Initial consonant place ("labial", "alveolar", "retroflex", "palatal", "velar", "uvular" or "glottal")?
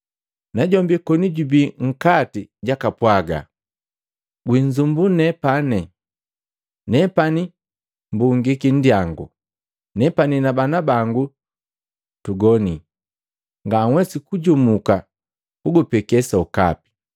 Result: alveolar